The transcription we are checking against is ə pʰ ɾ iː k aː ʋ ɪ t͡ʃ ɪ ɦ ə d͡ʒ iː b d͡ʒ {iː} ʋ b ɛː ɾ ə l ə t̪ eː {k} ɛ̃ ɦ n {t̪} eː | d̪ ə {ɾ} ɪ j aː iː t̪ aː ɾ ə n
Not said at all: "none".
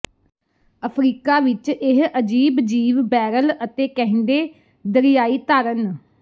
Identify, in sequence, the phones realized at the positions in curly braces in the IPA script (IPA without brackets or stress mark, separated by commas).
iː, k, d̪, ɾ